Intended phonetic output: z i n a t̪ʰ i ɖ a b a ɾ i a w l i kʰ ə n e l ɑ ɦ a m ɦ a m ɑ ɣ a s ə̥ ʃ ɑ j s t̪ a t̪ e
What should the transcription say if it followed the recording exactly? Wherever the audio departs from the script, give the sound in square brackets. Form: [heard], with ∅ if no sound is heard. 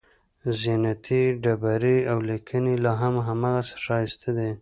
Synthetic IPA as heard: z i n a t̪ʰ i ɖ a b a ɾ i a w l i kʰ ə n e l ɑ ɦ a m ɦ a m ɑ ɣ a s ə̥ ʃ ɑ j s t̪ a [d̪] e